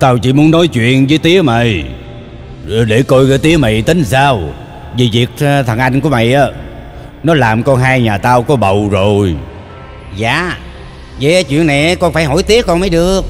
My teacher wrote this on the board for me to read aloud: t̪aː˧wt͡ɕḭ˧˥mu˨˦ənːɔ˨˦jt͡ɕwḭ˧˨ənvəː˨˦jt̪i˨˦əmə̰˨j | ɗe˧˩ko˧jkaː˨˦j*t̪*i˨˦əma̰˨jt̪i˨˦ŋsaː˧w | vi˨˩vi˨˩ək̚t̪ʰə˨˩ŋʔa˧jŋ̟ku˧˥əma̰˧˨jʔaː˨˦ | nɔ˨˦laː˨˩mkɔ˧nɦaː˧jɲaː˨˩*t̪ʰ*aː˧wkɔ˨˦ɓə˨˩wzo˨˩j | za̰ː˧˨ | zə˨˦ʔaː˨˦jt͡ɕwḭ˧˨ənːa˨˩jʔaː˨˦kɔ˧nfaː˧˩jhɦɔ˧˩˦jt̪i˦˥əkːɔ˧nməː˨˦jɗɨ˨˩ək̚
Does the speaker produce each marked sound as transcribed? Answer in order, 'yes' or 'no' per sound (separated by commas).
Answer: yes, no